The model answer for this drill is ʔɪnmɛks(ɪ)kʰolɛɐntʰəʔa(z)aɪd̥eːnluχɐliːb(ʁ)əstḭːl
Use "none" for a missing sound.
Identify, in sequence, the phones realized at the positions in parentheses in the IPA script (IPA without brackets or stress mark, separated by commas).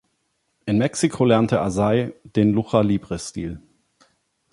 i, z, ʁ